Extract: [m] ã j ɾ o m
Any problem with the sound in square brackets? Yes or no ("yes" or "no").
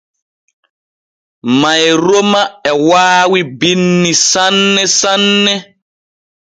no